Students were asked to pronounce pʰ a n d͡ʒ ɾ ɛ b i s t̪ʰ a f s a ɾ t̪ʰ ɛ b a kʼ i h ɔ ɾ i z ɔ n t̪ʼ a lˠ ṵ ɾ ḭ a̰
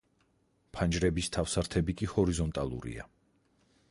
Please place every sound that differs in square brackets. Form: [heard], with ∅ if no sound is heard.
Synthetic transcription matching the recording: pʰ a n d͡ʒ ɾ ɛ b i s t̪ʰ a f s a ɾ t̪ʰ ɛ b [i] kʼ i h ɔ ɾ i z ɔ n t̪ʼ a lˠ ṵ ɾ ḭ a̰